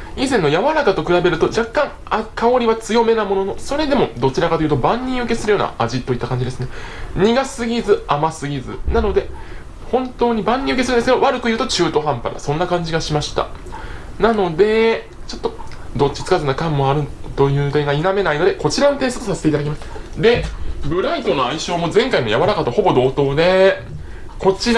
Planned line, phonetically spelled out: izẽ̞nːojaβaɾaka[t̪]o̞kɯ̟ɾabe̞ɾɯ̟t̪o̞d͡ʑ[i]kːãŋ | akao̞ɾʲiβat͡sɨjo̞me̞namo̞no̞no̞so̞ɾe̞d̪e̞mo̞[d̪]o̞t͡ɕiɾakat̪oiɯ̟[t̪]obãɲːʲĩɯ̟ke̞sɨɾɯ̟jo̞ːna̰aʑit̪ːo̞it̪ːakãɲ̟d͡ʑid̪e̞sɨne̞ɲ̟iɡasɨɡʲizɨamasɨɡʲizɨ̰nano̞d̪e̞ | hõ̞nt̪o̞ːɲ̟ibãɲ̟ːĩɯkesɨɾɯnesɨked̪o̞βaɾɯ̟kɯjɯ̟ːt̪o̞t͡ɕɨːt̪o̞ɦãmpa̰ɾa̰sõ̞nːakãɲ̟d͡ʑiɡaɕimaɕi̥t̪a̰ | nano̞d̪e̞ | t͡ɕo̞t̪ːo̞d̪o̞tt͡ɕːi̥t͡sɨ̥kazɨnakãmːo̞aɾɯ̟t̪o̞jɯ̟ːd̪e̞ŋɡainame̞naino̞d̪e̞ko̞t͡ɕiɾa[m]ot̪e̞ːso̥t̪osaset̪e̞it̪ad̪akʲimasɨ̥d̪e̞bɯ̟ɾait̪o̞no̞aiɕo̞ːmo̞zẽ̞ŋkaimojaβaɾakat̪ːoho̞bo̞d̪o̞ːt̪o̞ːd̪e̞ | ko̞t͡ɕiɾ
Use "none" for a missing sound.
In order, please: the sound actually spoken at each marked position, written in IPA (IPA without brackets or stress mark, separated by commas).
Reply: t̪, a, d̪, t̪, n